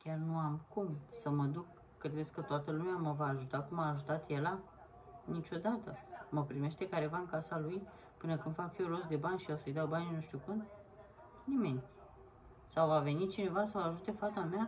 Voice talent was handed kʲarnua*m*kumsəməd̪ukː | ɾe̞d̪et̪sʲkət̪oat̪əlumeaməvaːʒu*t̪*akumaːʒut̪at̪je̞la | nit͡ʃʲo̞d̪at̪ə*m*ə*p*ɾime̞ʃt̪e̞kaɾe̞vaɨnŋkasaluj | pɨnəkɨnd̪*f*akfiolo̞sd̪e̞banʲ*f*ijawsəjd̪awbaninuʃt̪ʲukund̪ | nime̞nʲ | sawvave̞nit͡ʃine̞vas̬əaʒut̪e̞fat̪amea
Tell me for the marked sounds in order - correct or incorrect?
correct, correct, correct, correct, correct, incorrect: ʃ

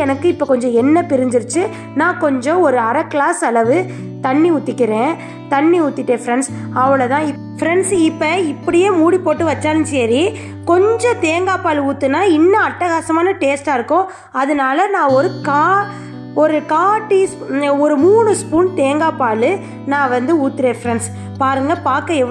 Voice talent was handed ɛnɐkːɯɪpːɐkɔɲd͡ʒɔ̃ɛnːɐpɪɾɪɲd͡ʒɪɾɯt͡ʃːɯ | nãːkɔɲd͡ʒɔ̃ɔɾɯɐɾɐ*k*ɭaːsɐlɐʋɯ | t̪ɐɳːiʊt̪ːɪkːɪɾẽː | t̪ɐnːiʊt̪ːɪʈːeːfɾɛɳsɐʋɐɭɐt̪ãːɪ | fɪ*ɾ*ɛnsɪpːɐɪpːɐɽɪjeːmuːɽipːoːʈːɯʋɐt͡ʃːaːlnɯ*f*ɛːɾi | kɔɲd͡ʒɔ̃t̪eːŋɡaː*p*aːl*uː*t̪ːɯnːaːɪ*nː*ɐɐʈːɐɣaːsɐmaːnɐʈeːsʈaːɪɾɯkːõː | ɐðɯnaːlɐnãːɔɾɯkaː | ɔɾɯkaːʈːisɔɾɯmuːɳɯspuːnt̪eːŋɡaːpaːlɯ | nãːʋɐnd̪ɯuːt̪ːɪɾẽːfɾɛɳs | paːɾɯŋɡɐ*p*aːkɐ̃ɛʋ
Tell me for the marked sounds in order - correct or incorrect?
correct, correct, incorrect: s, correct, correct, correct, correct

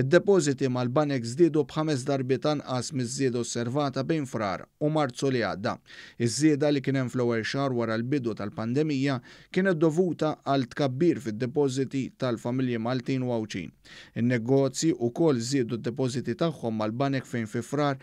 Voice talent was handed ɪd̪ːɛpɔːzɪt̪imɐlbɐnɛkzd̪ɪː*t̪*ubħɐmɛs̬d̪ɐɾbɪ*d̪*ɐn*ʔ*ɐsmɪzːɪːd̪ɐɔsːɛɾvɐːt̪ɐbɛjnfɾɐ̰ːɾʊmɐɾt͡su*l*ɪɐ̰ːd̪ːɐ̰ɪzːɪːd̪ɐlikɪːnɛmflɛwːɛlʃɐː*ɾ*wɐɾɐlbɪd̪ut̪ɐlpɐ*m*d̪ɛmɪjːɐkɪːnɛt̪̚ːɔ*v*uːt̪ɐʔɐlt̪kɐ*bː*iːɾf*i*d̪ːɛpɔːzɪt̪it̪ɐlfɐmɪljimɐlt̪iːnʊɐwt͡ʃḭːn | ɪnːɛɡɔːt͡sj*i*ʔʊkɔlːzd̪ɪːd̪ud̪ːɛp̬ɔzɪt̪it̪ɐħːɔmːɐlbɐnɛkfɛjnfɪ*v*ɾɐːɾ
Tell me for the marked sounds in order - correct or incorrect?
incorrect: d̪, incorrect: t̪, correct, correct, correct, incorrect: n, correct, correct, incorrect: ɪ, correct, incorrect: f

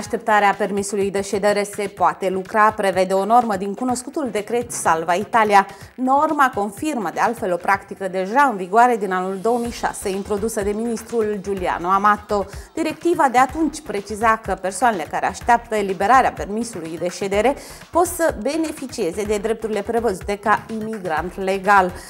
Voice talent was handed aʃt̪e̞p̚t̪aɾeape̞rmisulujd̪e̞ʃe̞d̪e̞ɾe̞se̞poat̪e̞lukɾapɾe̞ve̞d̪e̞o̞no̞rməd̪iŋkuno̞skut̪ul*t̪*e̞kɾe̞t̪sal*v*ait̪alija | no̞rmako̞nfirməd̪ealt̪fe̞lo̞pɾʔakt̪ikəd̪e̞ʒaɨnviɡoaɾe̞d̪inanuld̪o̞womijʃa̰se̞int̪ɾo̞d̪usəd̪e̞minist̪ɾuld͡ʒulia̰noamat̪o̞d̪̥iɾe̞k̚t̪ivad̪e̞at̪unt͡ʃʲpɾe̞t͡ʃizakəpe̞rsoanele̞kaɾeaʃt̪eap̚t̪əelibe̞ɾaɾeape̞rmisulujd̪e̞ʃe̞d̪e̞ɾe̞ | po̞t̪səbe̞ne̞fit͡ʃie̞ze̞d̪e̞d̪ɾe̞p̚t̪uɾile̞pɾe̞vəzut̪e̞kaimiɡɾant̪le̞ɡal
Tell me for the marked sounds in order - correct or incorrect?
incorrect: d̪, correct

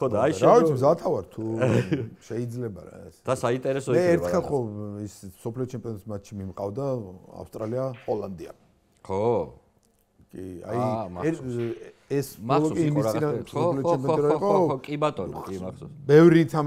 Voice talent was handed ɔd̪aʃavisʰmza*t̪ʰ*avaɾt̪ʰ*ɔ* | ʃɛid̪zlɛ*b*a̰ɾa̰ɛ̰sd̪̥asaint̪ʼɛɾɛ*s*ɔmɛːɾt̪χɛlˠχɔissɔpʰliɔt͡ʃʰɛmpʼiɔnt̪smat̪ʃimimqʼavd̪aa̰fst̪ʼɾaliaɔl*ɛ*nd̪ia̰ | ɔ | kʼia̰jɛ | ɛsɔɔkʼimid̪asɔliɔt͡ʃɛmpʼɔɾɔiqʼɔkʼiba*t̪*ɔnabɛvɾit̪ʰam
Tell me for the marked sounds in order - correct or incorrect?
correct, incorrect: u, correct, correct, incorrect: a, incorrect: t̪ʼ

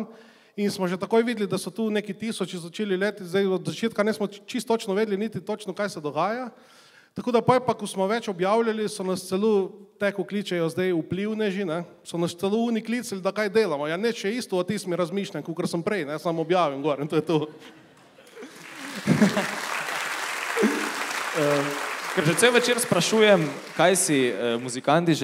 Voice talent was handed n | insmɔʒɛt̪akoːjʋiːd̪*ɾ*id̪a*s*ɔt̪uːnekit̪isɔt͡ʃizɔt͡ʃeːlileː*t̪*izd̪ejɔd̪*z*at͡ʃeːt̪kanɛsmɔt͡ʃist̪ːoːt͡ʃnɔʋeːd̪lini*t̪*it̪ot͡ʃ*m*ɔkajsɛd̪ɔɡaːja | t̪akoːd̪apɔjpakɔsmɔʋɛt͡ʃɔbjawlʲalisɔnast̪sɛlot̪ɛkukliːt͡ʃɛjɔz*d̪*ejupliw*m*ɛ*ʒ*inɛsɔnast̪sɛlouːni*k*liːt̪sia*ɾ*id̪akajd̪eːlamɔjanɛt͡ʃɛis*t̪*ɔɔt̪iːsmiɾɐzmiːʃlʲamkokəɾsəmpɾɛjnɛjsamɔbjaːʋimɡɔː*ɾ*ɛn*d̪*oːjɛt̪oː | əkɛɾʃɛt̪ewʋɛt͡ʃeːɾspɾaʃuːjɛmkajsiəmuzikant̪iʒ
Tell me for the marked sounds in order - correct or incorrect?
incorrect: l, correct, correct, correct, correct, incorrect: n, correct, incorrect: n, correct, correct, incorrect: l, correct, correct, incorrect: t̪

